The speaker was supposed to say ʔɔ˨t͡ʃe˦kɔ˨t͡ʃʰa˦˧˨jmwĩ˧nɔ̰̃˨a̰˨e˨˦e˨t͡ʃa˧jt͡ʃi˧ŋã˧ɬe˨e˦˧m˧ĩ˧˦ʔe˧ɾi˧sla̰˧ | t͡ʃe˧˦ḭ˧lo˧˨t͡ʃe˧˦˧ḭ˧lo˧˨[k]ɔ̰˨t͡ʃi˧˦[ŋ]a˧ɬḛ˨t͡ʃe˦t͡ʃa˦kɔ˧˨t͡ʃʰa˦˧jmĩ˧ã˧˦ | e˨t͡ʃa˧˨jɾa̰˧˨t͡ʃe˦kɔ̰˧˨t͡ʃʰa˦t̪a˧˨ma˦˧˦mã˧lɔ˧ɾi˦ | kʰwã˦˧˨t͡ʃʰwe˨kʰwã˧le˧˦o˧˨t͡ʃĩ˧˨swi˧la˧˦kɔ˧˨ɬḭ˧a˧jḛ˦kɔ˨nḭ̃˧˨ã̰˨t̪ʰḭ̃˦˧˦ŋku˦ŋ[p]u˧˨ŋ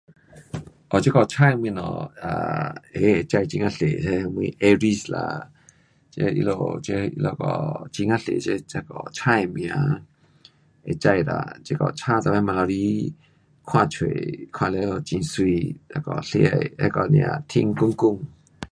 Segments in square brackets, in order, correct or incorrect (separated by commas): correct, correct, incorrect